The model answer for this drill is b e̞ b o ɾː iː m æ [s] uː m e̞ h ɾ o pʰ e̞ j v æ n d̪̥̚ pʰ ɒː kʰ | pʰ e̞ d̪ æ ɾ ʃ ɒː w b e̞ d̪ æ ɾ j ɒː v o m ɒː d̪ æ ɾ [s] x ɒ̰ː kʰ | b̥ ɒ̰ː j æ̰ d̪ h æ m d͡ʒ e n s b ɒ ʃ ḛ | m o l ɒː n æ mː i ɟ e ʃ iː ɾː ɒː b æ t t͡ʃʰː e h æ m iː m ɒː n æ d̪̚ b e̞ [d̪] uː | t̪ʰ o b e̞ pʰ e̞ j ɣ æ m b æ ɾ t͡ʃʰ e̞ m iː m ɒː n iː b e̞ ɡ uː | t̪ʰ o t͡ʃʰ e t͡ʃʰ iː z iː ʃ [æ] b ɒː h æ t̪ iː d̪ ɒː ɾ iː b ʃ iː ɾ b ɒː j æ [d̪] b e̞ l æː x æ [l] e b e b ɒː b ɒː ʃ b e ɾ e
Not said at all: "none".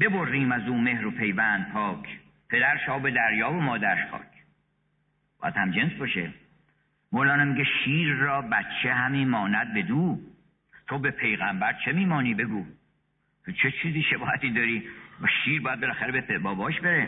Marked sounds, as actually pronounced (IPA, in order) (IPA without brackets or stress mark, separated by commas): z, ʃ, d̪, e, d̪, ɾ